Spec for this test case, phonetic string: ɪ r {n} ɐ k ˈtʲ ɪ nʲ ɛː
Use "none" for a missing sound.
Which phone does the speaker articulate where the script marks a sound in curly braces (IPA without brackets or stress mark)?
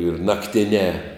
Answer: n